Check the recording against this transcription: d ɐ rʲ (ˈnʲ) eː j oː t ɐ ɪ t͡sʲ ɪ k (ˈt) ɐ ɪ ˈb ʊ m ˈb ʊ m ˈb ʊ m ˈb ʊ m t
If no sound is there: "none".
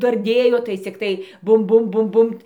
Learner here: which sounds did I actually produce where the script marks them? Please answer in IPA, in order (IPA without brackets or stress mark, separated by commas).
dʲ, t